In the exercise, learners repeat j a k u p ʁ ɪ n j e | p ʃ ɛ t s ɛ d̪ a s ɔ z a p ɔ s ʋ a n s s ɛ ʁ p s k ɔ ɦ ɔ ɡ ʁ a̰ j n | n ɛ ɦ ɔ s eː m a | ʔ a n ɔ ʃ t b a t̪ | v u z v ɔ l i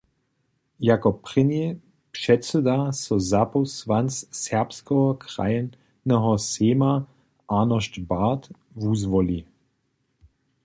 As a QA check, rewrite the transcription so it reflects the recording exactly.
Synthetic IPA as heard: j a k ɔ p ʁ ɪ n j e | p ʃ ɛ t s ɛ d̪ a s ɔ z a p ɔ s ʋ a n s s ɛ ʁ p s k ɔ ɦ ɔ k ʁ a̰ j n | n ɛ ɦ ɔ s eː m a | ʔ a n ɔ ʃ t b a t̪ | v u z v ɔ l i

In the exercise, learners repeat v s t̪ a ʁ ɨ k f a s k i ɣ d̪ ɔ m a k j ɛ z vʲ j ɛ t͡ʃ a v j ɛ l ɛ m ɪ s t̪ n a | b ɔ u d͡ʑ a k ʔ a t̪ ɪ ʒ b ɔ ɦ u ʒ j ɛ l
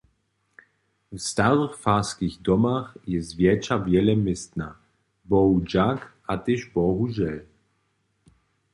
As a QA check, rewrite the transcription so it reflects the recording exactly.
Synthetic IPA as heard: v s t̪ a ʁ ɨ x f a s k i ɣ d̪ ɔ m a x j ɛ z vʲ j ɛ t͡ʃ a v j ɛ l ɛ m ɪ s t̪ n a | b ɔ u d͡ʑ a k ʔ a t̪ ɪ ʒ b ɔ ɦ u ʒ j ɛ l

